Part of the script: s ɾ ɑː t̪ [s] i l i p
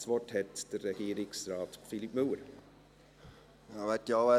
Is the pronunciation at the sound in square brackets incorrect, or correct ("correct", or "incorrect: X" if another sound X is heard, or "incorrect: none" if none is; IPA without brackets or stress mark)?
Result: incorrect: f